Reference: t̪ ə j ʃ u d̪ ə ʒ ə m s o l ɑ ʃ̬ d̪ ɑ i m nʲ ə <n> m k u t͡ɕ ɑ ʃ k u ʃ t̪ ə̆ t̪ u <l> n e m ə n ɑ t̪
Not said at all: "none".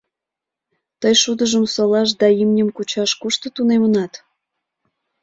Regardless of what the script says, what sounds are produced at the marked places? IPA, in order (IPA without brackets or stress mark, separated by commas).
none, none